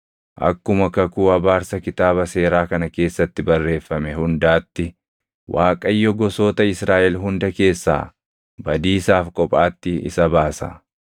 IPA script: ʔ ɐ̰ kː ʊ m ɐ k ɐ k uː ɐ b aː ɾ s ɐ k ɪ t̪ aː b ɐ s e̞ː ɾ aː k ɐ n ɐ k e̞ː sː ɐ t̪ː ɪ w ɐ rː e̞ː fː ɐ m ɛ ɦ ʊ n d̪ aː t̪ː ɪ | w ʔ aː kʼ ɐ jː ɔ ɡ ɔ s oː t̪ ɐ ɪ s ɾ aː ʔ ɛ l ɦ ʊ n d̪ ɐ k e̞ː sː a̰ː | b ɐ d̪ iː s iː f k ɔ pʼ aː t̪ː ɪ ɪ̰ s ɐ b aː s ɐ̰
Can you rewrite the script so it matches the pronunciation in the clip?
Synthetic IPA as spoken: ʔ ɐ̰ kː ʊ m ɐ k ɐ k uː ɐ b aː ɾ s ɐ k ɪ t̪ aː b ɐ s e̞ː ɾ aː k ɐ n ɐ k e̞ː sː ɐ t̪ː ɪ b ɐ rː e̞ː fː ɐ m ɛ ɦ ʊ n d̪ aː t̪ː ɪ | w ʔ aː kʼ ɐ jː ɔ ɡ ɔ s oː t̪ ɐ ɪ s ɾ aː ʔ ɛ l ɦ ʊ n d̪ ɐ k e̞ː sː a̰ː | b ɐ d̪ iː s aː f kʼ ɔ pʼ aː t̪ː ɪ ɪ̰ s ɐ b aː s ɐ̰